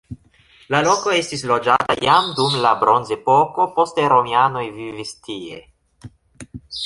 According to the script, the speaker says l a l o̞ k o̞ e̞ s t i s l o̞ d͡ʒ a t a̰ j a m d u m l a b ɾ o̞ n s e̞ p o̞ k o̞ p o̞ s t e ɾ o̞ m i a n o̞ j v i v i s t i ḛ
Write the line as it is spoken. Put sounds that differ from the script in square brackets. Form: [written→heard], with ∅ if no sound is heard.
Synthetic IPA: l a l o̞ k o̞ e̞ s t i s l o̞ d͡ʒ a t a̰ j a m d u m l a b ɾ o̞ n [s→z] e̞ p o̞ k o̞ p o̞ s t e ɾ o̞ m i a n o̞ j v i v i s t i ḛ